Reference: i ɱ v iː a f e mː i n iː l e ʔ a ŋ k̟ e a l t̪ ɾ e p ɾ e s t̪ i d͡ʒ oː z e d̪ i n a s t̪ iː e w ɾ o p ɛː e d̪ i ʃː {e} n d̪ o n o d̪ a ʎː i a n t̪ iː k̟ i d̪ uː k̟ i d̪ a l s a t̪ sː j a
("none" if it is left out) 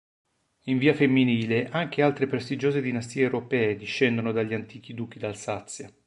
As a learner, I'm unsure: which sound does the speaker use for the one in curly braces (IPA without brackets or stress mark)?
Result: ɛ